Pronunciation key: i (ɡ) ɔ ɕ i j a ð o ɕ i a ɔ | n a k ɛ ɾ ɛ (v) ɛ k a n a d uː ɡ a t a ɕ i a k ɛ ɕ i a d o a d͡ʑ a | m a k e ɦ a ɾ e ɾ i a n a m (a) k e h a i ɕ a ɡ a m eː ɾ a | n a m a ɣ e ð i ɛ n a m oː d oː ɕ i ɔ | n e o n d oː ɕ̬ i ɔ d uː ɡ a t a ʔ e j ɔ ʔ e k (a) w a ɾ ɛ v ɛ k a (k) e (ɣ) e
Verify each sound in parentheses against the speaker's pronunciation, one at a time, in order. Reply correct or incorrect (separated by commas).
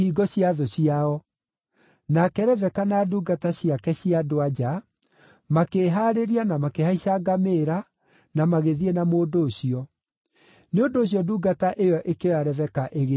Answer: correct, correct, correct, incorrect, incorrect, correct